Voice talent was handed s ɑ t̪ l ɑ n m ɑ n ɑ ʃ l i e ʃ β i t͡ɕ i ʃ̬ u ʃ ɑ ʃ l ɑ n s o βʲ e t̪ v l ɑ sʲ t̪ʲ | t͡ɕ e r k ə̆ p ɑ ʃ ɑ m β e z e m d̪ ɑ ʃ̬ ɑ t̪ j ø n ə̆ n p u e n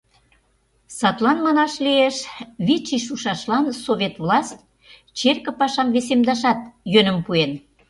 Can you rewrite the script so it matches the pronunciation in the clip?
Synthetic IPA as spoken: s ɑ t̪ l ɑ n m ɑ n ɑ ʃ l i e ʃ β i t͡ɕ i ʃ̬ u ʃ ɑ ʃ l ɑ n s o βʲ e t̪ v l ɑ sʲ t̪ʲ | t͡ɕ e r k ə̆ p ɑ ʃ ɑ m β e s e m d̪ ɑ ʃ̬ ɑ t̪ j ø n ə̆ m p u e n